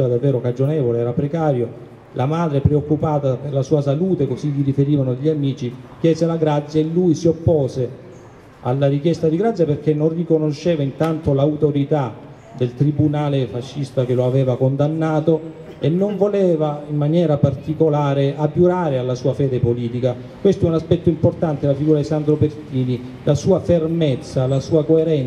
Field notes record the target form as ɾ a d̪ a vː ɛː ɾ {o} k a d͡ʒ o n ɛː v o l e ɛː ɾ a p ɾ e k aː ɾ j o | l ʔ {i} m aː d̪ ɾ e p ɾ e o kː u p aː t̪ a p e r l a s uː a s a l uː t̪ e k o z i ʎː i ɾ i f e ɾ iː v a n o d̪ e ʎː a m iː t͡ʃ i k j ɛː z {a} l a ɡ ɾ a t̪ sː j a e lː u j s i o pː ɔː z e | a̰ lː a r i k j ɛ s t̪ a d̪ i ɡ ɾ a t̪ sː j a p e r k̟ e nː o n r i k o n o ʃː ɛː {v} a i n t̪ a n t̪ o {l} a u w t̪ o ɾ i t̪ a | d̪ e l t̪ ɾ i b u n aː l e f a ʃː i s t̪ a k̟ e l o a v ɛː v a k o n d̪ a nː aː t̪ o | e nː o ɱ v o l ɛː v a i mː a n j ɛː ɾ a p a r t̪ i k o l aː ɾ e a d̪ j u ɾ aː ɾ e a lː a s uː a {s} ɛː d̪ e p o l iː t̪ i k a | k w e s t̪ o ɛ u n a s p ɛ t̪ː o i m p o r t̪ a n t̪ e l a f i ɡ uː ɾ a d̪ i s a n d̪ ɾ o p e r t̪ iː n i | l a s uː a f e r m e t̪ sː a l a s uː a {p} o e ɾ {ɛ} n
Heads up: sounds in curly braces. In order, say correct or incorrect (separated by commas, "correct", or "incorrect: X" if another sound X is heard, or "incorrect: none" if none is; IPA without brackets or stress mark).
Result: correct, incorrect: a, incorrect: e, correct, correct, incorrect: f, incorrect: k, correct